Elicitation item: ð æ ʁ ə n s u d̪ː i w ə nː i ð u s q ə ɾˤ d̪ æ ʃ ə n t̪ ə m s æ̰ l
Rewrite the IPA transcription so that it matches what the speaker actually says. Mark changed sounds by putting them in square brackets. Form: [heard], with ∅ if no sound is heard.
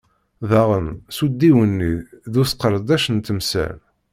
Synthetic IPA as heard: ð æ ʁ ə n s u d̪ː i w ə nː i ð u s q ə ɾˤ d̪ æ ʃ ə n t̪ ə m s æ̰ l